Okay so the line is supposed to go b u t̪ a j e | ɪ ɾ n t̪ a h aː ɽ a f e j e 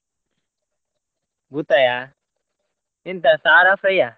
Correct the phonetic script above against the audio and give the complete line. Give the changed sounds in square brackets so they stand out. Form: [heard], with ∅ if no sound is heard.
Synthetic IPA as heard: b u t̪ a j [a] | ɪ [∅] n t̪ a [s] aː [ɾ] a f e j [a]